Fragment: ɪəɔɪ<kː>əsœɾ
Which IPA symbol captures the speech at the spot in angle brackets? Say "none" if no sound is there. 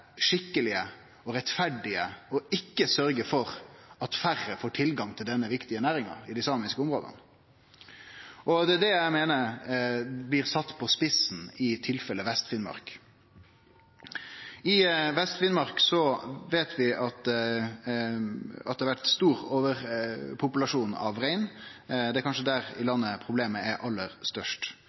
kː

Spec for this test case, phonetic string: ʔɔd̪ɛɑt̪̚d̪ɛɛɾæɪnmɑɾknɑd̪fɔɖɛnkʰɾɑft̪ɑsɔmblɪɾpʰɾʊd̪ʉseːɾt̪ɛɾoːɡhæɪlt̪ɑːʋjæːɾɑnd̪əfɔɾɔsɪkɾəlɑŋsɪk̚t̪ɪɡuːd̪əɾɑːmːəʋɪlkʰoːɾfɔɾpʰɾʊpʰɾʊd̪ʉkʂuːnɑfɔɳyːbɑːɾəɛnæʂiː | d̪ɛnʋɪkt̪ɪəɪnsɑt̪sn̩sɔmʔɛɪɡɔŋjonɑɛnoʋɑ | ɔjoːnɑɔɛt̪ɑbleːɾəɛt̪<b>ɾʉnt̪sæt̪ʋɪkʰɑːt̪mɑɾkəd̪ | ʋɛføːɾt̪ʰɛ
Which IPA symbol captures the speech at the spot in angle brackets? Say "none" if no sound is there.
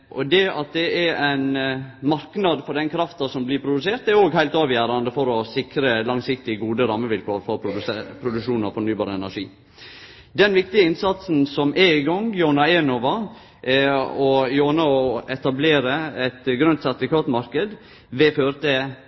ɡ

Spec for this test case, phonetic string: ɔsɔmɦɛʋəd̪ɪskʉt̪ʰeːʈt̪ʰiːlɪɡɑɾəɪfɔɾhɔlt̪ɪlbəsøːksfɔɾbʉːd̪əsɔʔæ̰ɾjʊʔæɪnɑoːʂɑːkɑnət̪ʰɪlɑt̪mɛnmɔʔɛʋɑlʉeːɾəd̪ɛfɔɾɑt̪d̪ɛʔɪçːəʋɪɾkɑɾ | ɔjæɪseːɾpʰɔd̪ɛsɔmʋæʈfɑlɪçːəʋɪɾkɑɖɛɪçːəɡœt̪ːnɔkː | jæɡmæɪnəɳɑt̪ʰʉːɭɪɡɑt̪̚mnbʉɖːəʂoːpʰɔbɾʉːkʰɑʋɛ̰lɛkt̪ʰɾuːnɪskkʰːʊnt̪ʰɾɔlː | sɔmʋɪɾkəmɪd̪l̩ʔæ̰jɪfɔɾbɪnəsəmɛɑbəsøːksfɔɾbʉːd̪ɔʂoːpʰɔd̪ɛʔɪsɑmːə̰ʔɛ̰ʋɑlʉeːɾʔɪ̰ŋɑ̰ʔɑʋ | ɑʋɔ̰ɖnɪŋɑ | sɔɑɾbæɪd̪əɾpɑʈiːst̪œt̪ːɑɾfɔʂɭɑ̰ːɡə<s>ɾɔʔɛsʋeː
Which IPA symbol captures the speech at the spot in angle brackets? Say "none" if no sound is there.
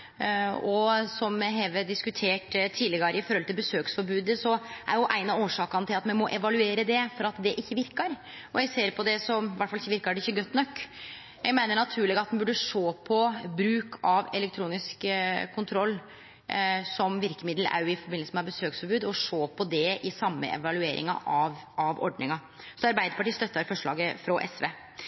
f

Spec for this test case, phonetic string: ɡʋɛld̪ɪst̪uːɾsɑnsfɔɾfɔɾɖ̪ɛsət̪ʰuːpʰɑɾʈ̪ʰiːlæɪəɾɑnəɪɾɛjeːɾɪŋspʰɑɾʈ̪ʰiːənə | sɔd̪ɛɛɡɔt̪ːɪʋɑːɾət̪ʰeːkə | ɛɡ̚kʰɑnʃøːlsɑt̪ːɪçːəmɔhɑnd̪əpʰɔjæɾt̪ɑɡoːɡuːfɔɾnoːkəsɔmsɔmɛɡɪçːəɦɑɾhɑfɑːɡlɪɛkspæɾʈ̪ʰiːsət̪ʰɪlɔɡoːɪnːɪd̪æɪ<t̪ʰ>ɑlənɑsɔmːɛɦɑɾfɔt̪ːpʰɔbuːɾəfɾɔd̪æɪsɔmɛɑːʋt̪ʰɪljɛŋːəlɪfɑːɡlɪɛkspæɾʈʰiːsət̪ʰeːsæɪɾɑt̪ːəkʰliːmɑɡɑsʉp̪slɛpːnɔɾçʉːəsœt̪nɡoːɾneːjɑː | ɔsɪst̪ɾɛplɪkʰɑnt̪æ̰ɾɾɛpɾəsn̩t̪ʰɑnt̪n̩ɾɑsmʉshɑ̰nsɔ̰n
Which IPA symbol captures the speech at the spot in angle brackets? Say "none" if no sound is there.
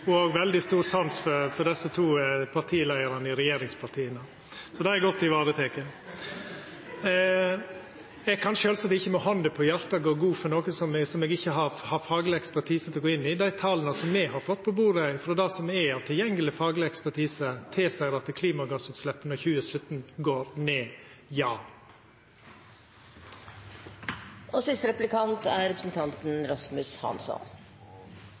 t̪ʰ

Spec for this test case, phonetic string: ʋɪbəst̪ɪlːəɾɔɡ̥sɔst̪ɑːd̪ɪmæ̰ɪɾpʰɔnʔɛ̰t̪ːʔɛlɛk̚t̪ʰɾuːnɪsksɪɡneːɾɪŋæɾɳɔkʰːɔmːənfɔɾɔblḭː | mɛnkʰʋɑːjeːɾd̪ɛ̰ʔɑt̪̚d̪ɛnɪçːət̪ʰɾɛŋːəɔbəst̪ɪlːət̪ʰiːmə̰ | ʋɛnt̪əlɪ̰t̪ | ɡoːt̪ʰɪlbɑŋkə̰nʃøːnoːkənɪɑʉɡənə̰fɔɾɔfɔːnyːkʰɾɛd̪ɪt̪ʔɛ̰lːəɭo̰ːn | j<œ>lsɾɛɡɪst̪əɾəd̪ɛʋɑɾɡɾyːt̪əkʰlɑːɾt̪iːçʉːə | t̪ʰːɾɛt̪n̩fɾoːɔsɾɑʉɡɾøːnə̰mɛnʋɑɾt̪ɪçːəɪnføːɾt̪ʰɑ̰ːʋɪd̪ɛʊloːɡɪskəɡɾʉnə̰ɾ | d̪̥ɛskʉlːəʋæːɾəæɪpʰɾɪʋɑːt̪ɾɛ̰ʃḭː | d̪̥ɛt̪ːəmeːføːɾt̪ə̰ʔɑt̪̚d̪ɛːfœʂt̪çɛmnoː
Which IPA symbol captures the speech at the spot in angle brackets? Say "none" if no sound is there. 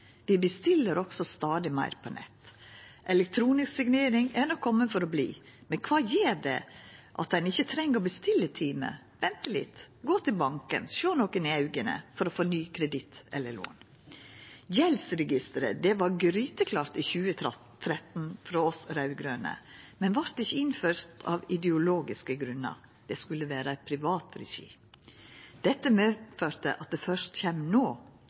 ɛ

